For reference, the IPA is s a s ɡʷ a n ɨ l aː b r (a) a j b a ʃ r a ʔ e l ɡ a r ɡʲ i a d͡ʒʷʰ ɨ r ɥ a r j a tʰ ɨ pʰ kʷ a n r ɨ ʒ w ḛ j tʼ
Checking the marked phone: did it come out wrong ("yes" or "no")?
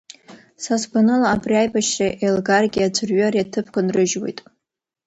yes